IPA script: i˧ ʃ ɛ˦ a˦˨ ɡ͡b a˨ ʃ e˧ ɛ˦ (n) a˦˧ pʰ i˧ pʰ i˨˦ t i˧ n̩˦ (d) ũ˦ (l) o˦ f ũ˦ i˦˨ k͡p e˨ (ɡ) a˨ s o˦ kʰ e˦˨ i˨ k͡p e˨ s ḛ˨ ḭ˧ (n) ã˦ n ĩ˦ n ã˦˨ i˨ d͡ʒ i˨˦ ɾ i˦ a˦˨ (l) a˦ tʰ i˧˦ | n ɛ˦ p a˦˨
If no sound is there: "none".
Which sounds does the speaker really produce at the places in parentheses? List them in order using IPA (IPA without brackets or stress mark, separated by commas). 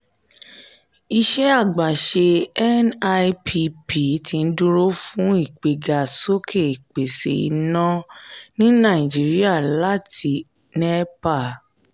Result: n, d, ɾ, ɡ, n, l